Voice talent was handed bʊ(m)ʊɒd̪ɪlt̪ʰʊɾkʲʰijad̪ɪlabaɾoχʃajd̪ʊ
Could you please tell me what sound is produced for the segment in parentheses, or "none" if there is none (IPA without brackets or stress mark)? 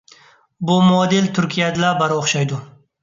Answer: m